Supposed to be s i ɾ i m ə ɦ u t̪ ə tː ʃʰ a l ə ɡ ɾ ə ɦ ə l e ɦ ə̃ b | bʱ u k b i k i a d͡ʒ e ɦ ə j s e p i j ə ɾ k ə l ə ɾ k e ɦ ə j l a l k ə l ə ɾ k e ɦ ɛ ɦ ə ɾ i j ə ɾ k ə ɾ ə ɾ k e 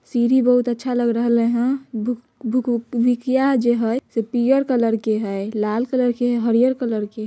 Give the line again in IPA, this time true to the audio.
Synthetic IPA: s i ɾ i b ə ɦ u t̪ ə tː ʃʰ a l ə ɡ ɾ ə ɦ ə l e ɦ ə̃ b | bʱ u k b i k j a d͡ʒ e ɦ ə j s e p i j ə ɾ k ə l ə ɾ k e ɦ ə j l a l k ə l ə ɾ k e ɦ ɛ ɦ ə ɾ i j ə ɾ k ə l ə ɾ k e